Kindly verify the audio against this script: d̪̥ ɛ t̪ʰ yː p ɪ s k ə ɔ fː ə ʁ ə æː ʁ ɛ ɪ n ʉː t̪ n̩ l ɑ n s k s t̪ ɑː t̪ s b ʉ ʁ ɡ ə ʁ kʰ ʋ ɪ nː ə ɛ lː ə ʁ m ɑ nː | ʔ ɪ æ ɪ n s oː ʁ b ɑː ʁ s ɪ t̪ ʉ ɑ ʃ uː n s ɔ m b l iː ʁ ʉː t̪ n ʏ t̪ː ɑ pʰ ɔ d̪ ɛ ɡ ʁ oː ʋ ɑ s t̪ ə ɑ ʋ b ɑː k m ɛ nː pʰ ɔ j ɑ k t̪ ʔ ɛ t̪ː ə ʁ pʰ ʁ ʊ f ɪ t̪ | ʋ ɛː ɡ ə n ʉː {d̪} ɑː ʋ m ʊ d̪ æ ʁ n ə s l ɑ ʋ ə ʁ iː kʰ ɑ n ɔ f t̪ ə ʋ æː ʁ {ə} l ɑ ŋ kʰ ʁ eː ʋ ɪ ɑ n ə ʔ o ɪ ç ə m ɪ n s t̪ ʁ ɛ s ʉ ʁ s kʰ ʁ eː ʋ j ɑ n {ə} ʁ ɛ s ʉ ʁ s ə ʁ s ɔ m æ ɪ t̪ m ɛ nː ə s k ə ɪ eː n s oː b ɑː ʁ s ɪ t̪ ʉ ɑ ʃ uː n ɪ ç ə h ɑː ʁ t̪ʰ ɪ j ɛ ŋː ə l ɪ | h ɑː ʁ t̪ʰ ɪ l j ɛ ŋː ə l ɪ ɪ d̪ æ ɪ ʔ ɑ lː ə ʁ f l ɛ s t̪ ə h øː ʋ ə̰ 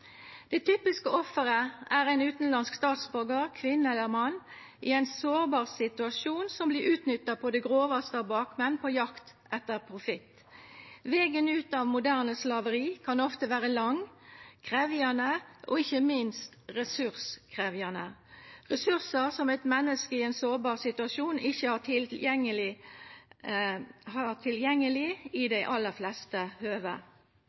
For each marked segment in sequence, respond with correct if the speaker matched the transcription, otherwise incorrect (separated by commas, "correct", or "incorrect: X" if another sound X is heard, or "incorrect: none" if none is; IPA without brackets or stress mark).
incorrect: t̪, correct, correct